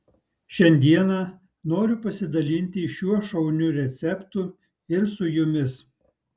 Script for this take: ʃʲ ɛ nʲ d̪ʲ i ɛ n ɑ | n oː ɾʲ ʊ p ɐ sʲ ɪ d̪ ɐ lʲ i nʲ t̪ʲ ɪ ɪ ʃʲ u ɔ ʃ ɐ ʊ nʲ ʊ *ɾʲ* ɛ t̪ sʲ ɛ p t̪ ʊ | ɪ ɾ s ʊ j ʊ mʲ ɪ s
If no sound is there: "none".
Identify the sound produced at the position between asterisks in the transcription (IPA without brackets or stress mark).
ɾʲ